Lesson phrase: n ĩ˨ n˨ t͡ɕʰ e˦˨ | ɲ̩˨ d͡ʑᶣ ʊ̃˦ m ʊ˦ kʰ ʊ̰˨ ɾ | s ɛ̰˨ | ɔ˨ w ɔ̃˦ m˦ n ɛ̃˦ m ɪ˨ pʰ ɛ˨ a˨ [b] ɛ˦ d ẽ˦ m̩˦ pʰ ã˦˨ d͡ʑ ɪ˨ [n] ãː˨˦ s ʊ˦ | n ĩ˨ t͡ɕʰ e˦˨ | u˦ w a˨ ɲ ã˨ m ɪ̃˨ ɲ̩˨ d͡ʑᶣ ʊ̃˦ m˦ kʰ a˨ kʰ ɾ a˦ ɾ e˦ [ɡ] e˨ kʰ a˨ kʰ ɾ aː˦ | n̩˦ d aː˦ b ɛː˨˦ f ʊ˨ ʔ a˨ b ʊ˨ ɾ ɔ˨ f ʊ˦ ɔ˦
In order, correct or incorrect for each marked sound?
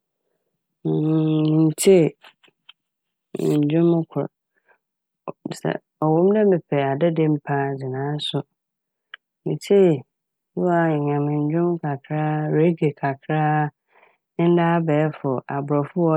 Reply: incorrect: d, correct, correct

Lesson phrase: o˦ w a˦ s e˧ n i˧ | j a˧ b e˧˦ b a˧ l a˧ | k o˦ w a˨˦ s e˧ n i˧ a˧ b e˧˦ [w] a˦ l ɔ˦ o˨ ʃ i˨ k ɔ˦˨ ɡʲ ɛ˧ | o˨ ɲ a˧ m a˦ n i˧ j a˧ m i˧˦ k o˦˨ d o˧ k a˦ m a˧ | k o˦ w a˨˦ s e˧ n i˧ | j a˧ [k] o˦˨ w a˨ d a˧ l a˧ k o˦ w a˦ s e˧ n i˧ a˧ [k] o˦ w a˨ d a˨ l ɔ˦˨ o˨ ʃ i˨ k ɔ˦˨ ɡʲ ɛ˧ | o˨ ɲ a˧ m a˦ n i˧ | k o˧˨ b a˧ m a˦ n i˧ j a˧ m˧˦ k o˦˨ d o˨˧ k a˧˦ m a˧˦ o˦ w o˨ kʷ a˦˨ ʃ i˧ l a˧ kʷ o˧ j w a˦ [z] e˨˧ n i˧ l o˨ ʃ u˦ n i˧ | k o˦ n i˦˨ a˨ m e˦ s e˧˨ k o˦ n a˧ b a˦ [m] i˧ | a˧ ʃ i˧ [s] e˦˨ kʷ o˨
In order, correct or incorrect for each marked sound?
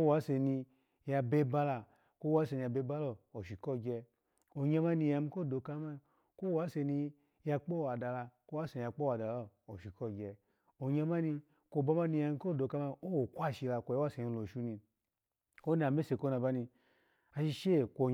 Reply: incorrect: b, incorrect: k͡p, incorrect: k͡p, incorrect: s, incorrect: n, incorrect: ʃ

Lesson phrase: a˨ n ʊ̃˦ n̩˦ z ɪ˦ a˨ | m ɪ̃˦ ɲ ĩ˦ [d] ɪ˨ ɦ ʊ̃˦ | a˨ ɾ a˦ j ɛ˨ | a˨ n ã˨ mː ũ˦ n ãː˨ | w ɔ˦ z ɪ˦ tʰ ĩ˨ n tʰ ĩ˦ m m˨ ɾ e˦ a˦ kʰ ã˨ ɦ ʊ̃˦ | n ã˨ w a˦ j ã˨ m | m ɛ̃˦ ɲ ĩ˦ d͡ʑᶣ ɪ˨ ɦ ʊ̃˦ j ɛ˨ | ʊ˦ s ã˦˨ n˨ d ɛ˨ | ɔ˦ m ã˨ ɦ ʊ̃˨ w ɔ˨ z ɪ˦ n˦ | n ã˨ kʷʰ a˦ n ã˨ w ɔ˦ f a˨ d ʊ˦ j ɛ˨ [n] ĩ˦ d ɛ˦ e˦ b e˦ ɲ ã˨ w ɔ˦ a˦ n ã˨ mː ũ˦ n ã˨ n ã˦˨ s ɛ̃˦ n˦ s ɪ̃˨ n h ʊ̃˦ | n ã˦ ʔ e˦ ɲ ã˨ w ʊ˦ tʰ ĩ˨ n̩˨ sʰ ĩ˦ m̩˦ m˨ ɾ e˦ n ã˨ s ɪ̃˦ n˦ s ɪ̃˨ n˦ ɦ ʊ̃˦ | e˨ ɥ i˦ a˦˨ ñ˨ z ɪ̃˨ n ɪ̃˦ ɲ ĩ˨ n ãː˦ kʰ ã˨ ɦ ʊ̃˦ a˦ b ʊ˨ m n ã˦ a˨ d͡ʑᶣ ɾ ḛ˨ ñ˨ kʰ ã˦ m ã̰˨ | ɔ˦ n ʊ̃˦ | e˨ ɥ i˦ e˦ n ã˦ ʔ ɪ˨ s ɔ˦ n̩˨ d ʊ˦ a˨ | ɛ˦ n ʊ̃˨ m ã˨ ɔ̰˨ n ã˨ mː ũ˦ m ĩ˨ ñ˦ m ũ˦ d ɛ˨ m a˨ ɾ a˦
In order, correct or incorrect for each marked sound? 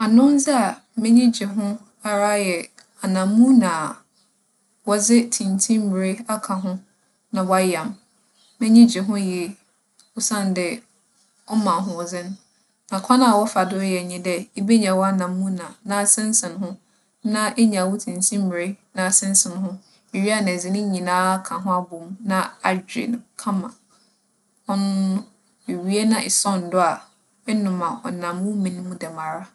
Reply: incorrect: d͡ʑ, incorrect: ɲ

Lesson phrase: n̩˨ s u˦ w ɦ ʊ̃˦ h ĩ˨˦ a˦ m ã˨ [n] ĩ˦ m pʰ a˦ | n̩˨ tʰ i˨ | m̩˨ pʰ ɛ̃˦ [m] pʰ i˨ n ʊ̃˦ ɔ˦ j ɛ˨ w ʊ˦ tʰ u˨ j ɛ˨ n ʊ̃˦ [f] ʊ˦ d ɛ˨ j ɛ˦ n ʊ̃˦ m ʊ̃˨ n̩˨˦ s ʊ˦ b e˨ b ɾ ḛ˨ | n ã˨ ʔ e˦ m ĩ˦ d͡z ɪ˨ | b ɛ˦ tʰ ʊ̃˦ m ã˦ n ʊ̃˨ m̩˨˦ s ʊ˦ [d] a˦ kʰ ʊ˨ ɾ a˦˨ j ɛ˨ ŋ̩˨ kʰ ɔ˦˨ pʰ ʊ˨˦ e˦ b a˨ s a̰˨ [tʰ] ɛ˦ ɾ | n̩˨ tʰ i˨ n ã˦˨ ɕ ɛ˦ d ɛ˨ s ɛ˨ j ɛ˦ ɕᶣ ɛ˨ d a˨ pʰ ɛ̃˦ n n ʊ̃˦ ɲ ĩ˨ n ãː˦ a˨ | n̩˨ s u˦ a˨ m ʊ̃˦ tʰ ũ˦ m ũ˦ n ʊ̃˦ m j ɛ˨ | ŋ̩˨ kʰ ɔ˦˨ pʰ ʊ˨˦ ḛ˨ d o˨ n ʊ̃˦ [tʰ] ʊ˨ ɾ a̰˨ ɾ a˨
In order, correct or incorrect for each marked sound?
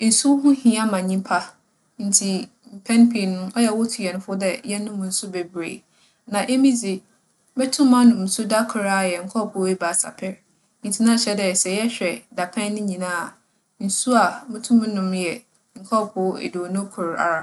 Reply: incorrect: ɲ, incorrect: n, correct, correct, incorrect: pʰ, incorrect: kʰ

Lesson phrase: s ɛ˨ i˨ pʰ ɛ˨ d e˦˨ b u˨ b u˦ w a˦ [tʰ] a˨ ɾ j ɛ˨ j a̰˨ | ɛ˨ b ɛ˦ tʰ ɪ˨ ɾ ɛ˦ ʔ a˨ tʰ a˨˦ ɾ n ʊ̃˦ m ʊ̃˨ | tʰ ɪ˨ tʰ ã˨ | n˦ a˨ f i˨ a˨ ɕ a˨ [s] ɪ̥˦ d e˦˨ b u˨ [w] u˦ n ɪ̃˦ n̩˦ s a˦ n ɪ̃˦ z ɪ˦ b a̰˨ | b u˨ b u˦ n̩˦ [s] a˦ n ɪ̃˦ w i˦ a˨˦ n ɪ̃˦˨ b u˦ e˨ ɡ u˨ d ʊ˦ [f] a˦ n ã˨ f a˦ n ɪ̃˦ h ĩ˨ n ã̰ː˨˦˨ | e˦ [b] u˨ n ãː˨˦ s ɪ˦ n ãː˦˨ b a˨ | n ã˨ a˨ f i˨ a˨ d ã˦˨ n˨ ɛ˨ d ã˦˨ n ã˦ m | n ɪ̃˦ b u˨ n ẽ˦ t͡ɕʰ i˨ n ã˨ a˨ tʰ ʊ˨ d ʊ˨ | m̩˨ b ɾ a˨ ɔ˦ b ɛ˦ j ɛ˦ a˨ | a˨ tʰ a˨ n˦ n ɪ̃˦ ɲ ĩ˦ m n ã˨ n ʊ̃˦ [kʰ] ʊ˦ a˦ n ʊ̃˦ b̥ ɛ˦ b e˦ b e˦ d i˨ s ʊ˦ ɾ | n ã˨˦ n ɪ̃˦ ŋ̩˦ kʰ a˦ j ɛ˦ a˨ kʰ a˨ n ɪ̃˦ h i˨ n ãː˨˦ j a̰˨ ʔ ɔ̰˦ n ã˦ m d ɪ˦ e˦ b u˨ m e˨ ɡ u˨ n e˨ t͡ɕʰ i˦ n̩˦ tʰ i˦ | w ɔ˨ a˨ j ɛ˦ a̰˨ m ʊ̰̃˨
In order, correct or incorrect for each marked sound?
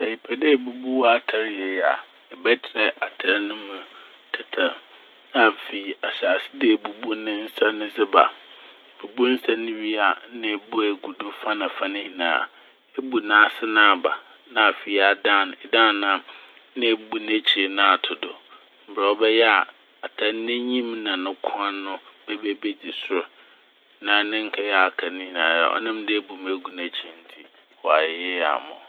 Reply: correct, correct, incorrect: b, correct, correct, correct, correct

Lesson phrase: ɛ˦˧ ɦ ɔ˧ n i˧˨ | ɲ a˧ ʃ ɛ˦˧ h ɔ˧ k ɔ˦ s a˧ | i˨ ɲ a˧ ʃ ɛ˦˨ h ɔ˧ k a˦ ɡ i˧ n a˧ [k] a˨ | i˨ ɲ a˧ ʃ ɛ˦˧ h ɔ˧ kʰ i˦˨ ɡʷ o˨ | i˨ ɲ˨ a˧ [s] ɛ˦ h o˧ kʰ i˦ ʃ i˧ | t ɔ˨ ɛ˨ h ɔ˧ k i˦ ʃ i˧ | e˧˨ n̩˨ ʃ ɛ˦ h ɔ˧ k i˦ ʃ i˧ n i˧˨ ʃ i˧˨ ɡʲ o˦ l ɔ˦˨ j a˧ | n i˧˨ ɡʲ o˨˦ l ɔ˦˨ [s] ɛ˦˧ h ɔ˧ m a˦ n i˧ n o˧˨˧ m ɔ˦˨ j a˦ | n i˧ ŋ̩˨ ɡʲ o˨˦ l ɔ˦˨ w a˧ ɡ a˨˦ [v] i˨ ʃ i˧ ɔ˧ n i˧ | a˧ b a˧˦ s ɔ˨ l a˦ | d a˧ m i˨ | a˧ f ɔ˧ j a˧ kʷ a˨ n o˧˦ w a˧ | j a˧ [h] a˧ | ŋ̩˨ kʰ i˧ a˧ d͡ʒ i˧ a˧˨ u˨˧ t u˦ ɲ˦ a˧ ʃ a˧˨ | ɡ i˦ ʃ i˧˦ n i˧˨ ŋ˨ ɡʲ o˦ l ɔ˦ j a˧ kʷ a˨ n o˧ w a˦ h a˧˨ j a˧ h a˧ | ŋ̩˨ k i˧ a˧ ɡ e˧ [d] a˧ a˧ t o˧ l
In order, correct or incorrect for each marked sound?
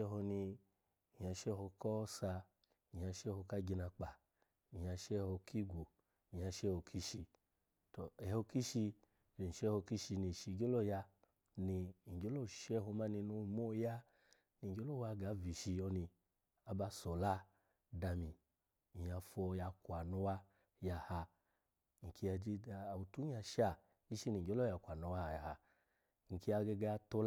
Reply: incorrect: k͡p, incorrect: ʃ, incorrect: ʃ, correct, correct, incorrect: ɡ

